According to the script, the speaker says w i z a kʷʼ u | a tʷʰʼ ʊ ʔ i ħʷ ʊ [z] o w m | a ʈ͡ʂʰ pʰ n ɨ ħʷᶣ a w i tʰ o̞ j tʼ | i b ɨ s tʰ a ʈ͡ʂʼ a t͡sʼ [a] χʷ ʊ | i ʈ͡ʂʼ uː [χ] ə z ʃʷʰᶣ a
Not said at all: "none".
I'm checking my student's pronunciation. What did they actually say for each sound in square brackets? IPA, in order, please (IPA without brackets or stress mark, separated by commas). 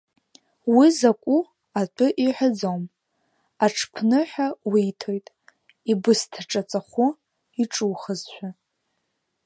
d͡z, a, χ